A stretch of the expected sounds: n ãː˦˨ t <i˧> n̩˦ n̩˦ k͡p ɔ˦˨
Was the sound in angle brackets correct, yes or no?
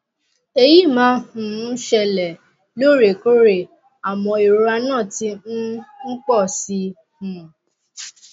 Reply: yes